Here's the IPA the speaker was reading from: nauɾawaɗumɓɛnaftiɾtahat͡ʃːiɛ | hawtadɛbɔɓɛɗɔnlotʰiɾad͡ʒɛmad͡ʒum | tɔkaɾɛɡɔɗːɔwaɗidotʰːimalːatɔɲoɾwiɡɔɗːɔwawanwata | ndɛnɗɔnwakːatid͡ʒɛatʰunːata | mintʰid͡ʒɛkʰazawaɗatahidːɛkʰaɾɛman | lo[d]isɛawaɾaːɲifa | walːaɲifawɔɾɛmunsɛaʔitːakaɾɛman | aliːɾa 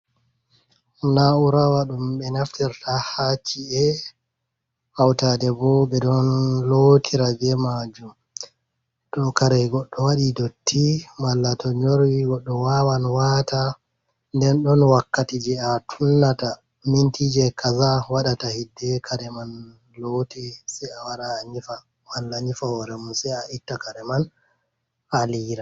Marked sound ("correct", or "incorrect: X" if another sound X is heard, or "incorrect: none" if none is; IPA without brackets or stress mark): incorrect: t